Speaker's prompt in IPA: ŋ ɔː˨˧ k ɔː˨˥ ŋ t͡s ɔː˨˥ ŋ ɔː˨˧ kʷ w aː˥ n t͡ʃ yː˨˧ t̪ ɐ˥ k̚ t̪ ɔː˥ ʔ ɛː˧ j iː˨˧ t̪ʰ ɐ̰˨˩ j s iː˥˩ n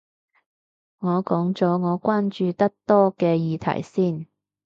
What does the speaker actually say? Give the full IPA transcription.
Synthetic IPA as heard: ŋ ɔː˨˧ k ɔː˨˥ ŋ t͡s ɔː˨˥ ŋ ɔː˨˧ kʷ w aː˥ n t͡ʃ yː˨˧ t̪ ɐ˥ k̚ t̪ ɔː˥ k ɛː˧ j iː˨˧ t̪ʰ ɐ̰˨˩ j s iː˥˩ n